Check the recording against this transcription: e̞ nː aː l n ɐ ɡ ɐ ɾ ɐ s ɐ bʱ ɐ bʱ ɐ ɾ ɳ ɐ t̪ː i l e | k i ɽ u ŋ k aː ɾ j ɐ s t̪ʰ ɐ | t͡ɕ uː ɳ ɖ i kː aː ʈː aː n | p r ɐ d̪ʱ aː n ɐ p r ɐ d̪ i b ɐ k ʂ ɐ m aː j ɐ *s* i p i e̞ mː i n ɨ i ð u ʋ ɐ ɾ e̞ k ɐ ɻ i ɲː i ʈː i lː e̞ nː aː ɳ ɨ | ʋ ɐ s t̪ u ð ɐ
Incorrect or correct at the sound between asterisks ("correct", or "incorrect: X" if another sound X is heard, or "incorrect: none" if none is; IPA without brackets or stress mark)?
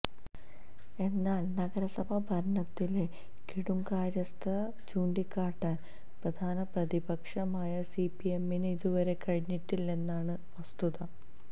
correct